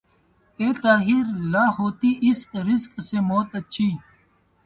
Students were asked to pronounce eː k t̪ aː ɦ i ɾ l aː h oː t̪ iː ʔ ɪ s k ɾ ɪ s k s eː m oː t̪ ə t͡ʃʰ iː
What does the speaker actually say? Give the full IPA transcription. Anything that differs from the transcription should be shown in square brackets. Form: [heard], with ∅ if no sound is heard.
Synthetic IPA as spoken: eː [∅] t̪ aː ɦ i ɾ l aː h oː t̪ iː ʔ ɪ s k ɾ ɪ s k s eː m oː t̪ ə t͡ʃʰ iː